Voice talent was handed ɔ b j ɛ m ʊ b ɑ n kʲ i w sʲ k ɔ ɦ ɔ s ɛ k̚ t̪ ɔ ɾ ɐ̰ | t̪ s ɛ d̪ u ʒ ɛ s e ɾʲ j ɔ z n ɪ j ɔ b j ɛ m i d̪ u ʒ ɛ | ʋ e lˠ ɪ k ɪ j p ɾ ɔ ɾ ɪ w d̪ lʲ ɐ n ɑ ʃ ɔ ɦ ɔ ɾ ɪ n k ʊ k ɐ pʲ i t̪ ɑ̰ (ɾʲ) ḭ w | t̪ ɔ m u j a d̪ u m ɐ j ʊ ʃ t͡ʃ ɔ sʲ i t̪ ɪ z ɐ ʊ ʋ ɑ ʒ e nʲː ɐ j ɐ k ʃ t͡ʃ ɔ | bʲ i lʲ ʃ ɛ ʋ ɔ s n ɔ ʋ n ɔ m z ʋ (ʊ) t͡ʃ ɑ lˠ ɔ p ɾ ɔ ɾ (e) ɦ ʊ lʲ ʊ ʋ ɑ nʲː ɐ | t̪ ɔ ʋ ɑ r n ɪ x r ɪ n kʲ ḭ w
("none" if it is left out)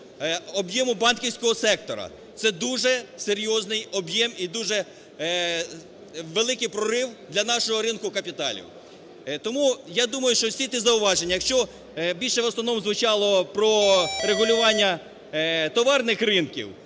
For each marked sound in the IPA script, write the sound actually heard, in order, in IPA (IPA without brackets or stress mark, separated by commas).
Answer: lʲ, ʊ, e